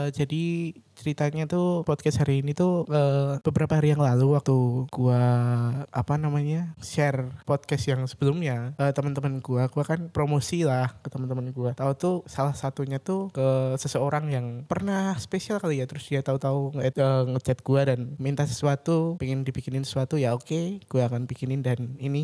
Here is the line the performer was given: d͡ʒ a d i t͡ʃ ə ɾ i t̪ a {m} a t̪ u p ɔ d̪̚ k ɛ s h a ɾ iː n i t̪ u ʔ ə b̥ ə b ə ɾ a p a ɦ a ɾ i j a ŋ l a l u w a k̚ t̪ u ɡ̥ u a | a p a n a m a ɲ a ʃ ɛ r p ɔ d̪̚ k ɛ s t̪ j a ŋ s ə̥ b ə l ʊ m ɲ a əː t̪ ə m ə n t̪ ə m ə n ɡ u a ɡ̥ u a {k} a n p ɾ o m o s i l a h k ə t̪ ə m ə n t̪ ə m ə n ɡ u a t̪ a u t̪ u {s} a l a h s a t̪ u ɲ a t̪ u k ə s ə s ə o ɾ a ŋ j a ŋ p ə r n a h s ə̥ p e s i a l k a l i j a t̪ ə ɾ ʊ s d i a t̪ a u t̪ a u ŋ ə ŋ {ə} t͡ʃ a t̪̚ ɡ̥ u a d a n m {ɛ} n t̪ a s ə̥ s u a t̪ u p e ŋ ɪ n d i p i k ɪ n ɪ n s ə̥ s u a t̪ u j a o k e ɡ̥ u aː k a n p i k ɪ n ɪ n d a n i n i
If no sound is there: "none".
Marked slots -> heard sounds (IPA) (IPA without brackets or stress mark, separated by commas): ɲ, k, s, ə, i